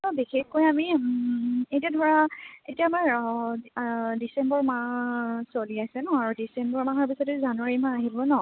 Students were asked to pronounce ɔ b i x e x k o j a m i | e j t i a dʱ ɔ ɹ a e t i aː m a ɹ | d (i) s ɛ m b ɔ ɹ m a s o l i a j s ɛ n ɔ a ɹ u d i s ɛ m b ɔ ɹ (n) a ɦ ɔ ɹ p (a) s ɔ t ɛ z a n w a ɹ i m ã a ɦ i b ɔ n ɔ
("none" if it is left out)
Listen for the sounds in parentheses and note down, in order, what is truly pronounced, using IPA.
i, m, i

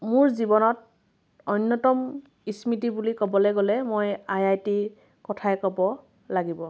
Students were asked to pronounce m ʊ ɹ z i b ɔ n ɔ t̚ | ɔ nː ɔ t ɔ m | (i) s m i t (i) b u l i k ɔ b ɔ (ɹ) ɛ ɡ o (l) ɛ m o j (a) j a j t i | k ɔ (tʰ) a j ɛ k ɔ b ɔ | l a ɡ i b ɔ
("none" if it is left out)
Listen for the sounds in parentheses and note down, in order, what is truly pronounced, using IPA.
i, i, l, l, a, tʰ

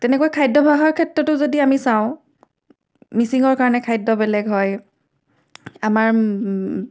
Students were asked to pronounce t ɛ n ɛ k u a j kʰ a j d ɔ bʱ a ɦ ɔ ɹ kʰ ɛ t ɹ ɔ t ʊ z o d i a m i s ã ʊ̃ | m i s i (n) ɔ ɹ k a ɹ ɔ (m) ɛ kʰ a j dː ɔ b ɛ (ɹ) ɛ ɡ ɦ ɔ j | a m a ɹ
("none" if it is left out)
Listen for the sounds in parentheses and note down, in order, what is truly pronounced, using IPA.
ŋ, n, l

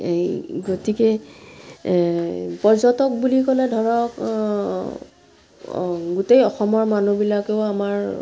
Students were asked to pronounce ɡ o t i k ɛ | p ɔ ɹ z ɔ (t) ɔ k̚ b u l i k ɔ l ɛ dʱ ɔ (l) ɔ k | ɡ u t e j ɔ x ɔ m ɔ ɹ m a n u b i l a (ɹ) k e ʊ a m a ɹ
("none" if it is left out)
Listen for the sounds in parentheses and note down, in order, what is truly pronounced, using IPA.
t, ɹ, none

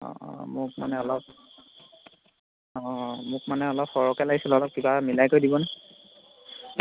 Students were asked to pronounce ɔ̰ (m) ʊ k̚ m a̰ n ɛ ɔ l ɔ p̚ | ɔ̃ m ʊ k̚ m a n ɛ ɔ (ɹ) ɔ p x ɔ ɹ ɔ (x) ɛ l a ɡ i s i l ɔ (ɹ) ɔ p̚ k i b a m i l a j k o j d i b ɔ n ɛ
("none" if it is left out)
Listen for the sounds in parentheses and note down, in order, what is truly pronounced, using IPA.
m, l, k, l

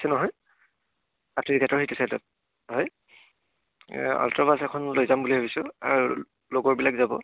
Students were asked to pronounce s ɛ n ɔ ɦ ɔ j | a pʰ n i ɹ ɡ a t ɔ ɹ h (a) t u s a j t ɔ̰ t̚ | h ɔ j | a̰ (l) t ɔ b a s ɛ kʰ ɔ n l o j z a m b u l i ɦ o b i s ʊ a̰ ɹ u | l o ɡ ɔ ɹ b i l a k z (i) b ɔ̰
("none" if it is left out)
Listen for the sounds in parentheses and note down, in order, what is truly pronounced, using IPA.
i, l, a

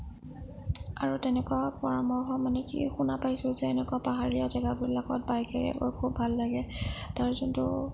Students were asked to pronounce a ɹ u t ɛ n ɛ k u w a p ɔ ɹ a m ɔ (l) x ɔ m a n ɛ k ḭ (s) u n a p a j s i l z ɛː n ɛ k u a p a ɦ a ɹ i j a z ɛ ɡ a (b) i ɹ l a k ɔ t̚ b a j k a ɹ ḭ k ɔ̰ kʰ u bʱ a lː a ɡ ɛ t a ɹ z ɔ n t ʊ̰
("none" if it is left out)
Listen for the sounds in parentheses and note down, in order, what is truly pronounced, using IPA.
ɹ, x, b

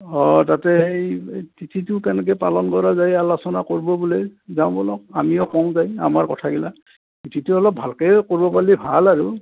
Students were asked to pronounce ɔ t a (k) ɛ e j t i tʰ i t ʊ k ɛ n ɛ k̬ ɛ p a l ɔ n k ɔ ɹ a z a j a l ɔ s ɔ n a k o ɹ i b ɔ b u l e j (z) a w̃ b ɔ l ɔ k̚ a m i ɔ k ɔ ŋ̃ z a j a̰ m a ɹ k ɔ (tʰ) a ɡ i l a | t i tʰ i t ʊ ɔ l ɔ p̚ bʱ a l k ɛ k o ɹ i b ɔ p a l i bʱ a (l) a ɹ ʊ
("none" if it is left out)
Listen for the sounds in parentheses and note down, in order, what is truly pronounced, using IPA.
t, z, tʰ, l

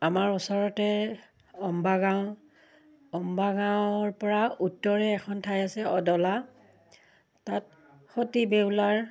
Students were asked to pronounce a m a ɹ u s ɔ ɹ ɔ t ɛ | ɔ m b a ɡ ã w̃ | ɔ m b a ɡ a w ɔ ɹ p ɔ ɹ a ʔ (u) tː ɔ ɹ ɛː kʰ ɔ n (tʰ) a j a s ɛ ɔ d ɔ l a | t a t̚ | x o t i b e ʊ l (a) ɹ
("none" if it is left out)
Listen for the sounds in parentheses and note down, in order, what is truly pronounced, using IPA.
u, tʰ, a

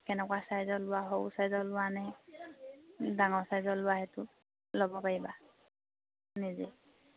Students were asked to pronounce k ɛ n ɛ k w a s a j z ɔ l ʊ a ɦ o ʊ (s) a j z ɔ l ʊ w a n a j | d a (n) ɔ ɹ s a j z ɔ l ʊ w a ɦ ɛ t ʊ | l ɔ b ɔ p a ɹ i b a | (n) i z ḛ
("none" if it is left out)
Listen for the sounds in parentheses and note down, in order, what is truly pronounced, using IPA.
s, ŋ, n

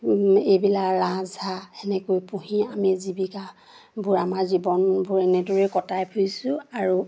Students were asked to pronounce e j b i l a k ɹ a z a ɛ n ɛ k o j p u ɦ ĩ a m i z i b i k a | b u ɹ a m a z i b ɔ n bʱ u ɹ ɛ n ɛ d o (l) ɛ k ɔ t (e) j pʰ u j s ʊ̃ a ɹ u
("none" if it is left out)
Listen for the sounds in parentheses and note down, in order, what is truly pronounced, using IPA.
ɹ, a

